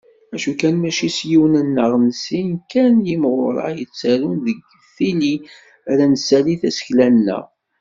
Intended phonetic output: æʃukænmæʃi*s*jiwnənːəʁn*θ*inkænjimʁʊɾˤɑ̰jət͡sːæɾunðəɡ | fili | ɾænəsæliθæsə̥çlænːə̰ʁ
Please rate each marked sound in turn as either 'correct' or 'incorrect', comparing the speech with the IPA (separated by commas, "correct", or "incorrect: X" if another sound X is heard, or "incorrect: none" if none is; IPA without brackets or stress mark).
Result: correct, incorrect: s